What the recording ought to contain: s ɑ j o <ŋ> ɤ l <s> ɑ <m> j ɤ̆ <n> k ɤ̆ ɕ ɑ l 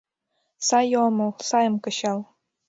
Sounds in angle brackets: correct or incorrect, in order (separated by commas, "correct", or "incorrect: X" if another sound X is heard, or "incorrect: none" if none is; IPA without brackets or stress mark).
incorrect: m, correct, incorrect: none, incorrect: m